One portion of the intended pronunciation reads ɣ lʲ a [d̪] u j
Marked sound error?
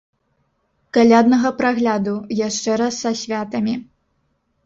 no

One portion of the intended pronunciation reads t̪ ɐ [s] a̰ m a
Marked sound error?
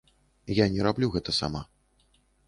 no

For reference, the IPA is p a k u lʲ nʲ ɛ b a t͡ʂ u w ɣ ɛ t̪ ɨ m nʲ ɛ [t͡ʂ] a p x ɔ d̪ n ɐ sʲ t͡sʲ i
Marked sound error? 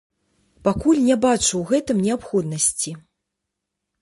yes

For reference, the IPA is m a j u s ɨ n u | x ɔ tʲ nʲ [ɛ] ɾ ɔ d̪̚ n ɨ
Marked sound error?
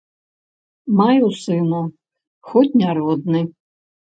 yes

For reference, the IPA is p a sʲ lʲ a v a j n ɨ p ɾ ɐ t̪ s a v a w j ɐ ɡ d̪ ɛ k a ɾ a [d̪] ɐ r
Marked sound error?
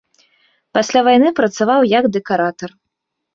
yes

